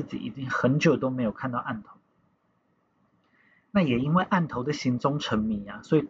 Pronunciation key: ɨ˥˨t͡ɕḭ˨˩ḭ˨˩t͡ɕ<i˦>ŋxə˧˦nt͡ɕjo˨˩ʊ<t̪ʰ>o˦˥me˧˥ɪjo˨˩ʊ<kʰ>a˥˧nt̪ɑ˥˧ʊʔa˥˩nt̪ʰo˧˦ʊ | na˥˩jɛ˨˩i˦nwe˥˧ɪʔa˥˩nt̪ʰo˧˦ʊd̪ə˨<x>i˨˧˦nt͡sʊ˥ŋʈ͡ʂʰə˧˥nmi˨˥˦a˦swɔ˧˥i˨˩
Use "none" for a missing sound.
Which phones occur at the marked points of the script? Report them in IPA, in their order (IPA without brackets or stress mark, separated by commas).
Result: i˦, t̪, kʰ, ɕ